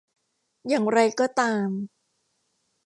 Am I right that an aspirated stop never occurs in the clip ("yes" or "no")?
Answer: yes